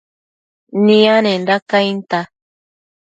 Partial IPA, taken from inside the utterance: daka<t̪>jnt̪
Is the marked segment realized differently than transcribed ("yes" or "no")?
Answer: yes